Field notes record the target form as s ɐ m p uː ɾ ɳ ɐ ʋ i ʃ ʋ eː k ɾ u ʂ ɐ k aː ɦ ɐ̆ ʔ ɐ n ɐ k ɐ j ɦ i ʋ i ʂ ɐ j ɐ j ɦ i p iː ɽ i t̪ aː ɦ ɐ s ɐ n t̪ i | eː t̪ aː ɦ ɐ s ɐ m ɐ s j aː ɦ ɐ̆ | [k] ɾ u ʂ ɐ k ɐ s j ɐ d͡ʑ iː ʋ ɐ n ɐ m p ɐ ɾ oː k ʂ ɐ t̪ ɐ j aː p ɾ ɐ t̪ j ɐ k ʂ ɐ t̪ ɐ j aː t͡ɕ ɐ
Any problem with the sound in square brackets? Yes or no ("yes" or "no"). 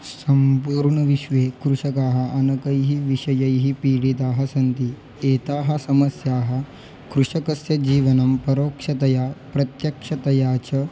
no